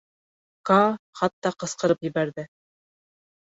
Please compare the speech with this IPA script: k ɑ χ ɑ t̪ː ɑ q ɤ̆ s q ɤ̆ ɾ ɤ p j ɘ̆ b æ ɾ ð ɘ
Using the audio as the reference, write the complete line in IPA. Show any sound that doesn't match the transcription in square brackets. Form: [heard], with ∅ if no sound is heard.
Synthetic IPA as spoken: k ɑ χ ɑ t̪ː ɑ q ɤ̆ s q ɤ̆ ɾ ɤ p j ɘ̆ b æ ɾ ð ɘ